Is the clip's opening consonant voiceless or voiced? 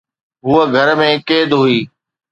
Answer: voiced